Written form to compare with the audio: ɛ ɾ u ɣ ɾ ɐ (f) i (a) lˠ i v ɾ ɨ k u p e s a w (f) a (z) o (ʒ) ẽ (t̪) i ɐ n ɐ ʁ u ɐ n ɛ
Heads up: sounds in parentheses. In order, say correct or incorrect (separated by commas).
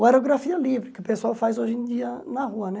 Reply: correct, incorrect, correct, correct, correct, incorrect